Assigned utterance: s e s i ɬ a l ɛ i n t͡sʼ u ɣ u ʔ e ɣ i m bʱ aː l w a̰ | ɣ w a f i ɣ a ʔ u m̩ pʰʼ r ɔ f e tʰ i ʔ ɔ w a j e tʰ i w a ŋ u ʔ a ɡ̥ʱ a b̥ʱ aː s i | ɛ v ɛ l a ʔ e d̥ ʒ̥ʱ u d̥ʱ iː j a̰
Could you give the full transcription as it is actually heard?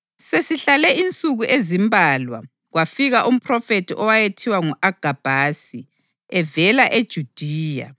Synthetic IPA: s e s i ɬ a l ɛ i n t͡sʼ u ɣ u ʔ e z i m bʱ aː l w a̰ | ɣ w a f i ɣ a ʔ u m̩ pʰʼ r ɔ f e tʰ i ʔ ɔ w a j e tʰ i w a ŋ u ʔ a ɡ̥ʱ a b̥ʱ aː s i | ɛ v ɛ l a ʔ e d̥ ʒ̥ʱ u d̥ʱ iː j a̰